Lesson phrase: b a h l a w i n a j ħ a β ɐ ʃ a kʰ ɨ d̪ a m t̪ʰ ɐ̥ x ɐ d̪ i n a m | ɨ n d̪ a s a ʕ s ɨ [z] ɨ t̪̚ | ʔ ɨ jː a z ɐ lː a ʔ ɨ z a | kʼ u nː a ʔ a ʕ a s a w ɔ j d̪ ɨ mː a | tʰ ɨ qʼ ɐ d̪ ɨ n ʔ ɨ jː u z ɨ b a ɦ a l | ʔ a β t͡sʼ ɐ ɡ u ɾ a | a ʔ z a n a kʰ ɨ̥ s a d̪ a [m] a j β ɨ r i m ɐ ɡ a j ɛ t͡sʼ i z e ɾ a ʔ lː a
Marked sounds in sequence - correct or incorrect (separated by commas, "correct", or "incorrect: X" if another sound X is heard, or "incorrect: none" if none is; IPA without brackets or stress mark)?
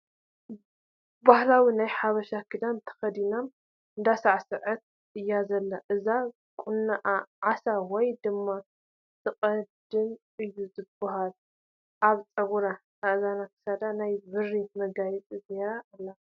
incorrect: ʕ, incorrect: n